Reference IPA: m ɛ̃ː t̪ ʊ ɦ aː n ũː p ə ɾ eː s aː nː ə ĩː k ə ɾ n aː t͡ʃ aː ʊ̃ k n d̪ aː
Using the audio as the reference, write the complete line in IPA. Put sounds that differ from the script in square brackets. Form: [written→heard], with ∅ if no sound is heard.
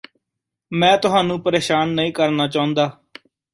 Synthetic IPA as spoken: m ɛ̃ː t̪ ʊ ɦ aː n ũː p ə ɾ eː [s→ʃ] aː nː ə ĩː k ə ɾ n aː t͡ʃ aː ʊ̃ [k→∅] n d̪ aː